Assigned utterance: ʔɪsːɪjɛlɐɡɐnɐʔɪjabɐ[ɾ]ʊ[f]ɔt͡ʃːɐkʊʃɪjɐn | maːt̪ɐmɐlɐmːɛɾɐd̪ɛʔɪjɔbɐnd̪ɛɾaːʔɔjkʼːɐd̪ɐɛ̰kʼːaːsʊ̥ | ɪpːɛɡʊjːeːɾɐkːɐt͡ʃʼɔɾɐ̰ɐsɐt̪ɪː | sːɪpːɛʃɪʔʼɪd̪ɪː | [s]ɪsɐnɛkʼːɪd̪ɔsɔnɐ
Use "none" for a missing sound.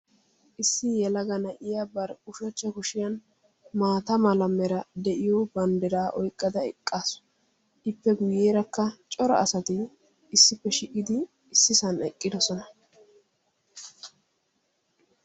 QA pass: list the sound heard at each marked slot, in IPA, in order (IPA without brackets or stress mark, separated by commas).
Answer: ɾ, ʃ, sː